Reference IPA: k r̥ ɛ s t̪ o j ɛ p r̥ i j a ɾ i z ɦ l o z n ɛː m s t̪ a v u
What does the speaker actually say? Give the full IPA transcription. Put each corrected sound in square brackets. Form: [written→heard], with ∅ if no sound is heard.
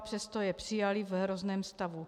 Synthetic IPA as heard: [k→p] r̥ ɛ s t̪ o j ɛ p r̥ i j a [ɾ→l] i [z→v] ɦ [l→ɾ] o z n ɛː m s t̪ a v u